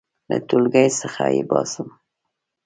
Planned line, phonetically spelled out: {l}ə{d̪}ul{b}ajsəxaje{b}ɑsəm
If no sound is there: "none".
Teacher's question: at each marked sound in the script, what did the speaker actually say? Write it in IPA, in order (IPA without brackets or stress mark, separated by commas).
l, t̪, ɡ, b